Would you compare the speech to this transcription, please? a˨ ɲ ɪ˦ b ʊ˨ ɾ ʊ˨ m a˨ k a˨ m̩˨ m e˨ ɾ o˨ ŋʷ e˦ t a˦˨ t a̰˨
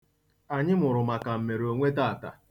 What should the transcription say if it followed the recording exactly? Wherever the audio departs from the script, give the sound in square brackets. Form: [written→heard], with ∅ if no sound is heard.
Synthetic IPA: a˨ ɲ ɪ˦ [b→m] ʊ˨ ɾ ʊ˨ m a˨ k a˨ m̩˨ m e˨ ɾ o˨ ŋʷ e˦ t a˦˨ t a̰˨